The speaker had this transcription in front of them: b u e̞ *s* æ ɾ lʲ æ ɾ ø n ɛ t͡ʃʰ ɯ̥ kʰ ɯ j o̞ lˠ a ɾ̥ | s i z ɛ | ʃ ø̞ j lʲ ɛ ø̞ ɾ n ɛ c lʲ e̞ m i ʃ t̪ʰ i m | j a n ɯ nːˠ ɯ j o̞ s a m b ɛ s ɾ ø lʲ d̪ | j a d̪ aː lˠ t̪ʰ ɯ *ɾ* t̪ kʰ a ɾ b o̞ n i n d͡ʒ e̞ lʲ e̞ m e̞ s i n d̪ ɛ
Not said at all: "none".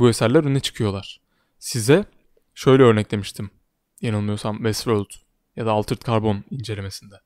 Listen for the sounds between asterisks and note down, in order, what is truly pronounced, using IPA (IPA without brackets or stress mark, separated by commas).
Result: s, ɾ